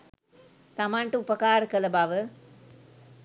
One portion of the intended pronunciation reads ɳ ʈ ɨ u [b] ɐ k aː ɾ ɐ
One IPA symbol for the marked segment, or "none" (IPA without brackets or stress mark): p